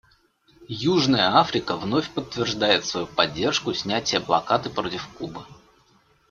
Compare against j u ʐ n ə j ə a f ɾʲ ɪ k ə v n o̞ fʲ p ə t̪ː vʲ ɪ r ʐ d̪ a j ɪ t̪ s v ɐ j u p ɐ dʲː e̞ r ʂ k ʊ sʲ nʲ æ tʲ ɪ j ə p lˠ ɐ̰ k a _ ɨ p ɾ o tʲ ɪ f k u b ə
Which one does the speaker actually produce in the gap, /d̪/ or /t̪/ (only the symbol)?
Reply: t̪